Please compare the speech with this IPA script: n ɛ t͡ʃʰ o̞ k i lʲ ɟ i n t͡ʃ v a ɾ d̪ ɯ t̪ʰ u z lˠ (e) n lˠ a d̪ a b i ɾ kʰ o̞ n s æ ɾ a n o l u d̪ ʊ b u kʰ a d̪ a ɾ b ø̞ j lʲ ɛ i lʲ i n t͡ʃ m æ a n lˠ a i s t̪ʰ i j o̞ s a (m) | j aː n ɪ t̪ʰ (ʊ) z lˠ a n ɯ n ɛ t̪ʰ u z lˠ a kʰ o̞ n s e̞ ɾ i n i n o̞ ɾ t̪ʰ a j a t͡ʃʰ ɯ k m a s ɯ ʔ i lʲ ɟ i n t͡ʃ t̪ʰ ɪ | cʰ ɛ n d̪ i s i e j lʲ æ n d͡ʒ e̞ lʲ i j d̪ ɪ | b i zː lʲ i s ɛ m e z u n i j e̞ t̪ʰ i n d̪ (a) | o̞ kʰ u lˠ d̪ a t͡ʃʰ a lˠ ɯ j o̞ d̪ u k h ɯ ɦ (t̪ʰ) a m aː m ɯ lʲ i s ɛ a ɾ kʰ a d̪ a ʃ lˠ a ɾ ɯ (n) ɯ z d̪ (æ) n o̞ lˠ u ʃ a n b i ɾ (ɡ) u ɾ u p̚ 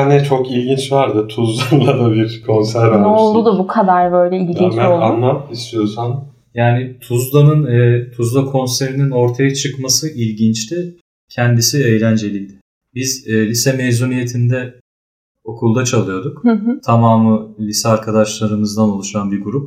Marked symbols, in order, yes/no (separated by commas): no, no, no, no, yes, no, no, yes